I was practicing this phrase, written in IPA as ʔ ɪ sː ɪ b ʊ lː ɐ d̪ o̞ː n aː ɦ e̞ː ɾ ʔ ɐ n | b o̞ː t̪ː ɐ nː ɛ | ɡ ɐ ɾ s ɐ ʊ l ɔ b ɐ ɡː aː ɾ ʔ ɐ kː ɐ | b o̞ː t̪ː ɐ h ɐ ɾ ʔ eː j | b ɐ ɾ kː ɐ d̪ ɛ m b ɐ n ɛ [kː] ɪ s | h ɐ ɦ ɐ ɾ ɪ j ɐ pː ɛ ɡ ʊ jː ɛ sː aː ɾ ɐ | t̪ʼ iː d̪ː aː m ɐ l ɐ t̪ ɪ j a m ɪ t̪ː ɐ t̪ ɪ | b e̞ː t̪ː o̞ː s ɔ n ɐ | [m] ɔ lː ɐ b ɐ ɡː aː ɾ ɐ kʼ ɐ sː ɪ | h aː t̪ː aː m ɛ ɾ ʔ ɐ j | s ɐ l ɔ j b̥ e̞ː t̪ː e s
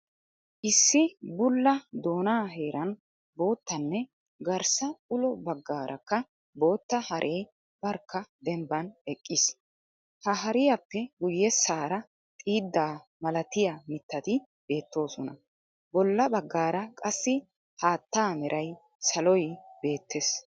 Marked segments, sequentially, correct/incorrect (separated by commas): incorrect, incorrect